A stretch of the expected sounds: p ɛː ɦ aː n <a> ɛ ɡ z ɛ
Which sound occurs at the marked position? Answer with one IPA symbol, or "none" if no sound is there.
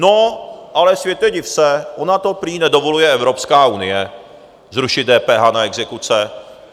a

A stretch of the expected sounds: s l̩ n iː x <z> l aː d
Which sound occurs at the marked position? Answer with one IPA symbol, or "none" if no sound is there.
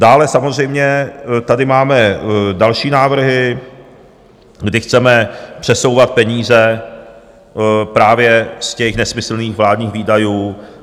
v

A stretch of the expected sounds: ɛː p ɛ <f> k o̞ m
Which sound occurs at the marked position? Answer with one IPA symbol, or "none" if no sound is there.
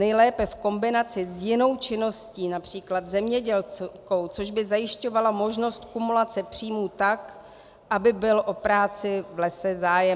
f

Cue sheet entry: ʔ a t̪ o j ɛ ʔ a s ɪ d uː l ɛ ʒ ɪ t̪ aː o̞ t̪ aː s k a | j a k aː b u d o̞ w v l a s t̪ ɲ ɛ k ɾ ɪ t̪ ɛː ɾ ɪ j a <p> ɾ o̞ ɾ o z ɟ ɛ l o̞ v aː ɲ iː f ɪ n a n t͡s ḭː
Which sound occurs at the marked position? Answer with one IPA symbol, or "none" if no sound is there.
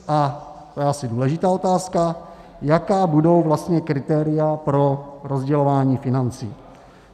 p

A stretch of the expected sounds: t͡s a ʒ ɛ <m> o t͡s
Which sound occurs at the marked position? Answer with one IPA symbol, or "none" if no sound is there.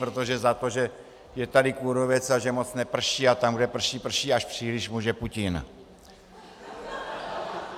m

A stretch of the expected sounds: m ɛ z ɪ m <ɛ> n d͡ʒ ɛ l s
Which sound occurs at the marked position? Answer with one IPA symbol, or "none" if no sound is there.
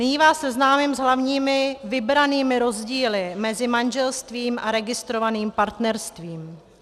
a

